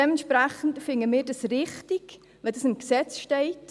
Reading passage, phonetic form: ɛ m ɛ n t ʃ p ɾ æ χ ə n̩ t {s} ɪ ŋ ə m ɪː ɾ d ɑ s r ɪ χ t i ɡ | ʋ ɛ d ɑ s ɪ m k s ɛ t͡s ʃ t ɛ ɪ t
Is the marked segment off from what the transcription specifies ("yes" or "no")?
yes